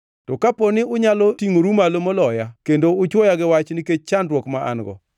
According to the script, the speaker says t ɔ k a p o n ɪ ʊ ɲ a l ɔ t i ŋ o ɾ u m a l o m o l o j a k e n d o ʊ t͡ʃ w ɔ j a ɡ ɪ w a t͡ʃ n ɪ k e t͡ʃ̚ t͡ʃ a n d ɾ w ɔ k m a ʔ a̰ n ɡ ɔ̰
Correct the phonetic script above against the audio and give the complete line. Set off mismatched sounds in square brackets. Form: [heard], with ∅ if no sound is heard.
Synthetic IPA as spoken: t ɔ k a p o n ɪ ʊ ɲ a l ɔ t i ŋ o ɾ u m a l o m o l [ɔ] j a k e n d o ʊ t͡ʃ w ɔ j a ɡ ɪ w a t͡ʃ n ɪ k e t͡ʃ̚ t͡ʃ a n d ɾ w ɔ k m a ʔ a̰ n ɡ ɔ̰